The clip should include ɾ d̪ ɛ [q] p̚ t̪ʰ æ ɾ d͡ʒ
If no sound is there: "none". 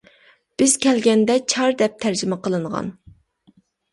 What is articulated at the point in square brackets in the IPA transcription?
none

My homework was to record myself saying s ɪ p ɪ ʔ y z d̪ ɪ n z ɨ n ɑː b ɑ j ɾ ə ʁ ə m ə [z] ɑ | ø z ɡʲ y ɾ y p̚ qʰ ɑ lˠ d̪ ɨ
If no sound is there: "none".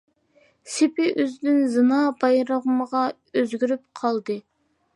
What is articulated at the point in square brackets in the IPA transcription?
ʁ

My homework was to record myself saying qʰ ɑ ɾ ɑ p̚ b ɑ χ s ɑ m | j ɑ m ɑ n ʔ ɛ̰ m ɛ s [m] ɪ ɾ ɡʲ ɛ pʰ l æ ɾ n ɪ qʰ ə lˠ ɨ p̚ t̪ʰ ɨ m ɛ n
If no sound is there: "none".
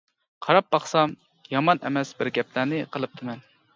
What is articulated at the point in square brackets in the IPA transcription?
b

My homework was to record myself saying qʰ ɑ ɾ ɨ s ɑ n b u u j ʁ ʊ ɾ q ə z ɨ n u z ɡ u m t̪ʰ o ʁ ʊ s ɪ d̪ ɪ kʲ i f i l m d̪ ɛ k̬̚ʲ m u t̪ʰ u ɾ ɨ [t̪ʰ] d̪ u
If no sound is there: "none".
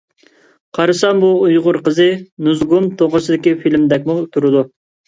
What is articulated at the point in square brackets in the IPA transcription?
none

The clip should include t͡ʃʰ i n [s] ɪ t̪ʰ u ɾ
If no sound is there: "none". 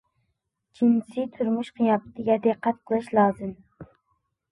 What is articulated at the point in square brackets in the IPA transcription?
s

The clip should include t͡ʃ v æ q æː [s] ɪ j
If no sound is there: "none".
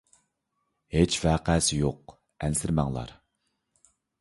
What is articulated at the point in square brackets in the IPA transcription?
s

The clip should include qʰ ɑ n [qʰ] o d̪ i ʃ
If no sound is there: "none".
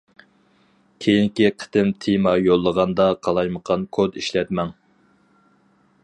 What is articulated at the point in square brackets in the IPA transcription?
kʰ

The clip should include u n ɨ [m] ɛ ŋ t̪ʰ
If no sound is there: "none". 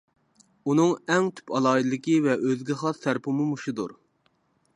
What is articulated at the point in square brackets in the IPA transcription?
ŋ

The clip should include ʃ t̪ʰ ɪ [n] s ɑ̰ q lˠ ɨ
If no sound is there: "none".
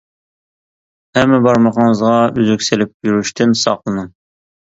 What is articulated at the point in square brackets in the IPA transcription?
n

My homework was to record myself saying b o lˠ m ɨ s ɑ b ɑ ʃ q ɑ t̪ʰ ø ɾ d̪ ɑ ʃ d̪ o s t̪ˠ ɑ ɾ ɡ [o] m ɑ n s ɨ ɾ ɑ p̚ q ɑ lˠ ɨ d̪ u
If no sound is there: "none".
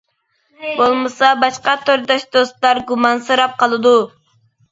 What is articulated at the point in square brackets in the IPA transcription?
u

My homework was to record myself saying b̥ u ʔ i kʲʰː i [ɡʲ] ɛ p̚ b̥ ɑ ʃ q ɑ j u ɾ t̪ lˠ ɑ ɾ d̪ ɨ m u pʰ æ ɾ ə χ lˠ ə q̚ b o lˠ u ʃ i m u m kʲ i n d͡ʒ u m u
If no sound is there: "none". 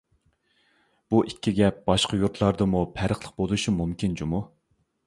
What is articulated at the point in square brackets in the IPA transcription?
ɡʲ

